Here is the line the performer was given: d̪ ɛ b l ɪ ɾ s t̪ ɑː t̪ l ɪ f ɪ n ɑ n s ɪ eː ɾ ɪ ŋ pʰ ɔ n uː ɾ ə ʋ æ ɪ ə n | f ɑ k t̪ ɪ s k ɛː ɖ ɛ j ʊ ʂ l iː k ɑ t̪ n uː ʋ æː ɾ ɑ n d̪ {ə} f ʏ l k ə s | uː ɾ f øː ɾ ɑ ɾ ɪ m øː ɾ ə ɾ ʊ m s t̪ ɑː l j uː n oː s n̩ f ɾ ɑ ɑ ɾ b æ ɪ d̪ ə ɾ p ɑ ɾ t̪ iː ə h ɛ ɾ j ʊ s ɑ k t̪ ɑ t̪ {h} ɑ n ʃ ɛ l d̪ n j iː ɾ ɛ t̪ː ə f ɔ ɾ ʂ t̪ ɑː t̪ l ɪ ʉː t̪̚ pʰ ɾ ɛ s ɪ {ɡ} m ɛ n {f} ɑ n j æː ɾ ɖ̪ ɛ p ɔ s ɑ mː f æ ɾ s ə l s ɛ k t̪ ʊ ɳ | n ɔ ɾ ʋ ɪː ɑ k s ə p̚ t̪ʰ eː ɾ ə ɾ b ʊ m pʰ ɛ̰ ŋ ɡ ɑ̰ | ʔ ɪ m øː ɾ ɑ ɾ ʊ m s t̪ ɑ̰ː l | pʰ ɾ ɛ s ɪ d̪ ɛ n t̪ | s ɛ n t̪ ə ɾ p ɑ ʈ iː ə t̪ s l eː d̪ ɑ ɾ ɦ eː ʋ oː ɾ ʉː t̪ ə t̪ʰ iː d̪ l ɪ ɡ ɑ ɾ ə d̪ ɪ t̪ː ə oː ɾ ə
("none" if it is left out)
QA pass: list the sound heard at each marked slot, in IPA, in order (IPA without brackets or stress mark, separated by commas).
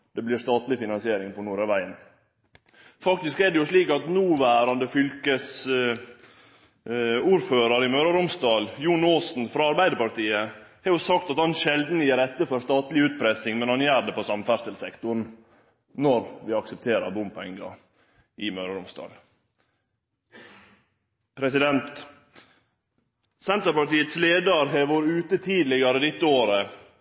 ə, h, ŋ, h